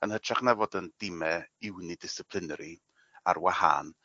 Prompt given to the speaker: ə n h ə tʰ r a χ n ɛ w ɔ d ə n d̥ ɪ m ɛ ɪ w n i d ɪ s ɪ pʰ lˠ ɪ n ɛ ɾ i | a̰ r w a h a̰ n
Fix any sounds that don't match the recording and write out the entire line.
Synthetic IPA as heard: ə n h ə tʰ r a χ n ɛ v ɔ d ə n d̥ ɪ m ɛ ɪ w n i d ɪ s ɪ pʰ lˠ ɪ n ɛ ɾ i | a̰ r w a h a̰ n